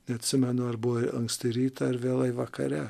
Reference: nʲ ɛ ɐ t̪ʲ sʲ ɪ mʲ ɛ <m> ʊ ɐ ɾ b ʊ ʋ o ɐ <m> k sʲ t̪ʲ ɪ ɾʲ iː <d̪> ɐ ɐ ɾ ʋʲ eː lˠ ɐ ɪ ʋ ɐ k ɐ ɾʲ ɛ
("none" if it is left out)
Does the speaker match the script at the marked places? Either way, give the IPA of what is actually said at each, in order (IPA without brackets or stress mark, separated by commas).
n, ŋ, t̪